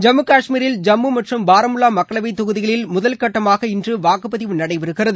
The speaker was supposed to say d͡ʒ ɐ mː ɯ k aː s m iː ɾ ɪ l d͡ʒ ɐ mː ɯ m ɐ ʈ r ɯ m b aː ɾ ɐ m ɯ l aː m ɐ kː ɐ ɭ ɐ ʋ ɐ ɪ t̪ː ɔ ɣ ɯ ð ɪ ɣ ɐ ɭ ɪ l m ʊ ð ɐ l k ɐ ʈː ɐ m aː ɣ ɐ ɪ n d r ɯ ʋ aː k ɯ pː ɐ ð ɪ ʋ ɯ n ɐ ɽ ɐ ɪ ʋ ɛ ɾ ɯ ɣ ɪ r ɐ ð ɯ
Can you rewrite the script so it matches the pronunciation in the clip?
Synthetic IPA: d͡ʒ ɐ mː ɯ k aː ʂ m iː ɾ ɪ l d͡ʒ ɐ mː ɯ m ɐ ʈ r ɯ m b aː ɾ ɐ m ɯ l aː m ɐ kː ɐ ɭ ɐ ʋ ɐ ɪ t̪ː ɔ ɣ ɯ ð ɪ ɣ ɐ ɭ ɪ l m ʊ ð ɐ l k ɐ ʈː ɐ m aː ɣ ɐ ɪ n d r ɯ ʋ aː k ɯ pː ɐ ð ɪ ʋ ɯ n ɐ ɽ ɐ ɪ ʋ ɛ ɾ ɯ ɣ ɪ r ɐ ð ɯ